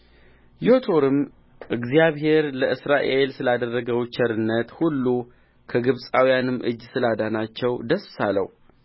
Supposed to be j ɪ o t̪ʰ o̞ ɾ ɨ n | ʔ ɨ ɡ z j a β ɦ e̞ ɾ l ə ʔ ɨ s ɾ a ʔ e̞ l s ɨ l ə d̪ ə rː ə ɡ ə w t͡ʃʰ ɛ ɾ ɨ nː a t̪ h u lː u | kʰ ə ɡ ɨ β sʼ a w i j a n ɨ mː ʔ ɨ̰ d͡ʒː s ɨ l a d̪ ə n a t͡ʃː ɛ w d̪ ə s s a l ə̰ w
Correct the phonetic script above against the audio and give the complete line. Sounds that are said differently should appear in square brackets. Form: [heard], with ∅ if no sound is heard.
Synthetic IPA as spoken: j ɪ o t̪ʰ o̞ ɾ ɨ [m] | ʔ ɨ ɡ z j a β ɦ e̞ ɾ l ə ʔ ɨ s ɾ a ʔ e̞ l s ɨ l [a] d̪ ə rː ə ɡ ə w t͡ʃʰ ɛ ɾ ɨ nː [ə] t̪ h u lː u | kʰ ə ɡ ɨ β sʼ a w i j a n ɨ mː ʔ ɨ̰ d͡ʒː s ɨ l a d̪ [a] n a t͡ʃː ɛ w d̪ ə s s a l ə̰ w